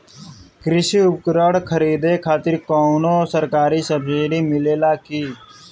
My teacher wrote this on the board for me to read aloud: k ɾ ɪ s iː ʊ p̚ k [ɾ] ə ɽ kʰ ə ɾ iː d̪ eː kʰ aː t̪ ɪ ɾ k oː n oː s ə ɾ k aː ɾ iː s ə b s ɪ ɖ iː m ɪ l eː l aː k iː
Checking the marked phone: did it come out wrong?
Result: no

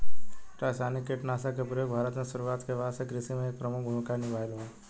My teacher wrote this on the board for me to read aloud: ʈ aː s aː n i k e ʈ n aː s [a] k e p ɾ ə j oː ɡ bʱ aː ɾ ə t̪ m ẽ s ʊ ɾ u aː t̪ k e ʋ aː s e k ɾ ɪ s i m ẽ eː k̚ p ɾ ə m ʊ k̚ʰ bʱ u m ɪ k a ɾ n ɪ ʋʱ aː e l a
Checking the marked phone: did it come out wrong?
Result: no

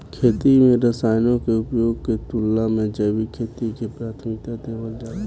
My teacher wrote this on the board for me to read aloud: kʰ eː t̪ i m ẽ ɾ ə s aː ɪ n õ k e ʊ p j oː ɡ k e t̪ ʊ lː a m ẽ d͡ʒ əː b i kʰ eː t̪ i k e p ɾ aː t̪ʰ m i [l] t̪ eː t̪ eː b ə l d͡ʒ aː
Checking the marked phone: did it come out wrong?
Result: yes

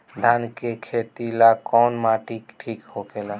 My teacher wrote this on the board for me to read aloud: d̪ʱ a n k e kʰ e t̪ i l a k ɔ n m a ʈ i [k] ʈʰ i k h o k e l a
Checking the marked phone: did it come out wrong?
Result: no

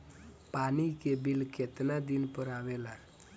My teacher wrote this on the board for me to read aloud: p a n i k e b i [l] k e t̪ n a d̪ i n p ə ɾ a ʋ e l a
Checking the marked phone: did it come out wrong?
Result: no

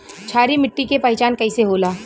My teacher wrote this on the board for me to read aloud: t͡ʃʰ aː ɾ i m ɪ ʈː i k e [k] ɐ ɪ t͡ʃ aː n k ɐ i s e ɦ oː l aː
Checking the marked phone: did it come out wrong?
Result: yes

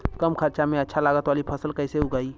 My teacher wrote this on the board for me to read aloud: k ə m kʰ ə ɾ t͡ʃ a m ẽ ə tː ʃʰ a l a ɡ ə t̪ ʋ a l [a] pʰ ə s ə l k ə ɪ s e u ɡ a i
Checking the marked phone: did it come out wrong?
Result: yes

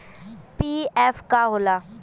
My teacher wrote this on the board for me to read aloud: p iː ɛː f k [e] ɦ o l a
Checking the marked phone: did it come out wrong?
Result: yes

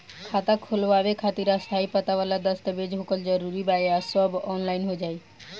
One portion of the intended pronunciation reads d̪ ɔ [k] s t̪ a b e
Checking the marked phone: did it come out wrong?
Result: yes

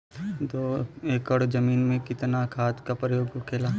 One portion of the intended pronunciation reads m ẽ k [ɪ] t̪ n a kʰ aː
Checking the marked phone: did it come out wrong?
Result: no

